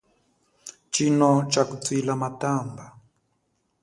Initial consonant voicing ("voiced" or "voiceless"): voiceless